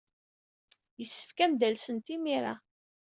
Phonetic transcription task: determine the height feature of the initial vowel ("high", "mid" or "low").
mid